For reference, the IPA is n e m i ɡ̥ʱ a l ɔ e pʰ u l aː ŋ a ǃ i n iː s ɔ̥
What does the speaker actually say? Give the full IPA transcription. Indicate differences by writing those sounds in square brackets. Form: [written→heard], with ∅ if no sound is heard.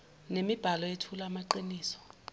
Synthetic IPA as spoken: n e m i [ɡ̥ʱ→b̥ʱ] a l ɔ e [pʰ→tʰ] u l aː [ŋ→m] a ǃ i n iː s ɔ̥

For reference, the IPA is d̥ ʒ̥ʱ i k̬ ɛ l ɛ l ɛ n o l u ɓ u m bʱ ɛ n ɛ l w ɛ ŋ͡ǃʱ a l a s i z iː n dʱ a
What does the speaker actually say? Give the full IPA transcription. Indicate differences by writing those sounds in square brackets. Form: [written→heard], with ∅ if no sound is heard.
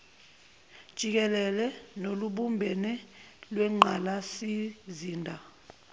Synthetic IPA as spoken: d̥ ʒ̥ʱ i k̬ ɛ l ɛ l ɛ n o l u ɓ u m bʱ ɛ n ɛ l w ɛ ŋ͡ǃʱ a l a s i z iː n dʱ a

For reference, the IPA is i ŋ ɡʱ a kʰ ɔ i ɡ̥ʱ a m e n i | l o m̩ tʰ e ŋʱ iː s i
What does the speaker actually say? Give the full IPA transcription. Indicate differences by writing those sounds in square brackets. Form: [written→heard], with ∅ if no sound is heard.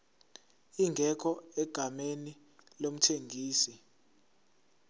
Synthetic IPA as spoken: i ŋ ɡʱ [a→ɛ] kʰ ɔ [i→ɛ] ɡ̥ʱ a m e n i | l o m̩ tʰ e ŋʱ iː s i

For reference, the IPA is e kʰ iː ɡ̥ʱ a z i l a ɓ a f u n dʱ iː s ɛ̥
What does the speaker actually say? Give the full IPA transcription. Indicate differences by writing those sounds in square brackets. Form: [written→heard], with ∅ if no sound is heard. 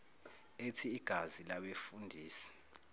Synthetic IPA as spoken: e [kʰ→tʰ] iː ɡ̥ʱ a z i l a ɓ [a→e] f u n dʱ iː s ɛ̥

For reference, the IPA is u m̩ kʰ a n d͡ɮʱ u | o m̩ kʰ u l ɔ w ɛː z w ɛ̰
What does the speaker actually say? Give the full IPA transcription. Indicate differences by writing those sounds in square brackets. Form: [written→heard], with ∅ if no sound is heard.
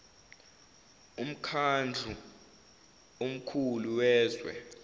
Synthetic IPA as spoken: u m̩ kʰ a n d͡ɮʱ u | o m̩ kʰ u l [ɔ→u] w ɛː z w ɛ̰

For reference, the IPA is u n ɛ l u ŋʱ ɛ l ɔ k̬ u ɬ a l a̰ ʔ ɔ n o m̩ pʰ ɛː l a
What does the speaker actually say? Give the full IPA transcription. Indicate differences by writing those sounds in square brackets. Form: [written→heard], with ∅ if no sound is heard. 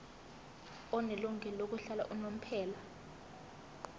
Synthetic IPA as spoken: [u→ɔ] n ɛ l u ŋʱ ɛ l [ɔ→o] k̬ u ɬ a l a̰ ʔ [ɔ→u] n o m̩ pʰ ɛː l a

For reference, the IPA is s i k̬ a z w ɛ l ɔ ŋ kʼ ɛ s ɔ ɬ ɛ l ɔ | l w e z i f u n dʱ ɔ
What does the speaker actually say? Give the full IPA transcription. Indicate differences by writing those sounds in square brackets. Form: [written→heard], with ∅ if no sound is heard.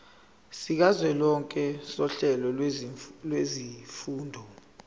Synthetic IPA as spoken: s i k̬ a z w ɛ l ɔ ŋ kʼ ɛ s ɔ ɬ ɛ l ɔ | l w e z i f [u→uː] n dʱ ɔ

